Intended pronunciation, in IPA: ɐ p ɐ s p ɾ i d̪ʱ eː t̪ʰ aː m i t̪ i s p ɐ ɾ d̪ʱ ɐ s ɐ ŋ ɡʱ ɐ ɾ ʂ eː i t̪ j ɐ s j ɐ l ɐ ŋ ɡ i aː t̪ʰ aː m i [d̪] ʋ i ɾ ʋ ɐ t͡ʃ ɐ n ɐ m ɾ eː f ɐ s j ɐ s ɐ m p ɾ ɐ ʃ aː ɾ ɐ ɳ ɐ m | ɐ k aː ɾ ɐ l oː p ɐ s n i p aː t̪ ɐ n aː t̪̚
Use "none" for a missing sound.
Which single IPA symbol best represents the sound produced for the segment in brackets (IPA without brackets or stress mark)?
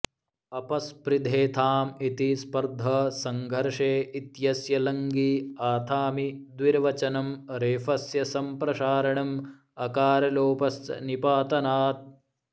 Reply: d̪